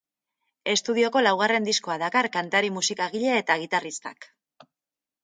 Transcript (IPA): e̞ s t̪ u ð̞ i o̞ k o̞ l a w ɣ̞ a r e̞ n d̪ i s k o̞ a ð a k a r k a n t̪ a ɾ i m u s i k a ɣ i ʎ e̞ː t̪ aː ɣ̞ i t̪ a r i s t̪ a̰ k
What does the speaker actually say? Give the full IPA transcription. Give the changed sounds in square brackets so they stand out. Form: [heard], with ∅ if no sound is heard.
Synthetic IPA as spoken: e̞ s t̪ u ð̞ i o̞ k o̞ l a w ɣ̞ a r e̞ n d̪ i s k o̞ a ð a k a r k a n t̪ a ɾ i m u s i k a ɣ i ʎ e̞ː t̪ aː ɣ̞ i t̪ a r i s t̪ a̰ k